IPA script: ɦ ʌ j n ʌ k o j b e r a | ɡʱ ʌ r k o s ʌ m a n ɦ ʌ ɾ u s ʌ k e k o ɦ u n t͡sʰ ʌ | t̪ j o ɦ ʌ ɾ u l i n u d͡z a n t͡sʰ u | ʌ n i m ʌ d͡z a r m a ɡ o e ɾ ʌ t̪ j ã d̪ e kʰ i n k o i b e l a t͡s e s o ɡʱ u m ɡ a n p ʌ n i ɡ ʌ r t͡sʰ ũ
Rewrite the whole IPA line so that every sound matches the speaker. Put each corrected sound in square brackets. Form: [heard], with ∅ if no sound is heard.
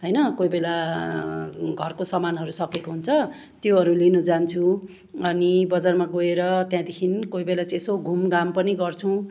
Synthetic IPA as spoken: ɦ ʌ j n ʌ k o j b e [l] a | ɡʱ ʌ r k o s ʌ m a n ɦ ʌ ɾ u s ʌ k e k o ɦ u n t͡sʰ ʌ | t̪ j o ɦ ʌ ɾ u l i n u d͡z a n t͡sʰ u | ʌ n i [b] ʌ d͡z a r m a ɡ o e ɾ ʌ t̪ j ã d̪ e kʰ i n k o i b e l a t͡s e s o ɡʱ u m ɡ a [m] p ʌ n i ɡ ʌ r t͡sʰ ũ